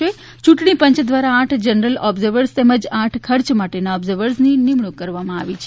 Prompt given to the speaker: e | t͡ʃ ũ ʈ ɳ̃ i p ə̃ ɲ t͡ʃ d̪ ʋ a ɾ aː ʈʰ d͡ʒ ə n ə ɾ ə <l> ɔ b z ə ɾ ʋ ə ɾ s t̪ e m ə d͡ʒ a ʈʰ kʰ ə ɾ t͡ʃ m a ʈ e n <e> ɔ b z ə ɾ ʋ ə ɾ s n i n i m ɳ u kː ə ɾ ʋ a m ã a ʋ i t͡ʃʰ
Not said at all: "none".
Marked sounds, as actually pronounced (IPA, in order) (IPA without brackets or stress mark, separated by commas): l, a